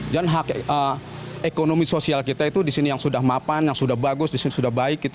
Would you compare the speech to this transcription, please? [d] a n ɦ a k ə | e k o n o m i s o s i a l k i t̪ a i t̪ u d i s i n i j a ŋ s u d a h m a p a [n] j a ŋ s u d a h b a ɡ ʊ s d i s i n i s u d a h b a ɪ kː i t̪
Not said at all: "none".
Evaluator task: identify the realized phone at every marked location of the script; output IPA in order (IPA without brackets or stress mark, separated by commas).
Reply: d͡ʒ, n